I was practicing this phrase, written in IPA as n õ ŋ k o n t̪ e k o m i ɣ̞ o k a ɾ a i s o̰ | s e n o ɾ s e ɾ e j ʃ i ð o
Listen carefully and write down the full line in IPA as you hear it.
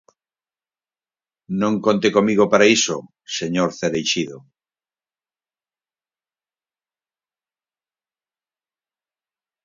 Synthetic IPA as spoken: n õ ŋ k o n t̪ e k o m i ɣ̞ o p a ɾ a i s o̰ | s e ɲ o ɾ θ e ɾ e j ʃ i ð o